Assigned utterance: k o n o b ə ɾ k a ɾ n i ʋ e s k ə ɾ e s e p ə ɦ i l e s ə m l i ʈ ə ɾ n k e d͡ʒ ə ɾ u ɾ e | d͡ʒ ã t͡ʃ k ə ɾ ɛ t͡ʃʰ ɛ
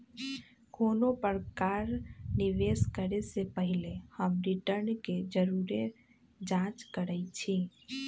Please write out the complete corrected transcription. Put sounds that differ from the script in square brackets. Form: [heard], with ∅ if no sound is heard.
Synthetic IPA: k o n o [p] ə ɾ k a ɾ n i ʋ e s k ə ɾ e s e p ə ɦ i l e [h] ə m [ɾ] i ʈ ə ɾ n k e d͡ʒ ə ɾ u ɾ e | d͡ʒ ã t͡ʃ k ə ɾ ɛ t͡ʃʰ [i]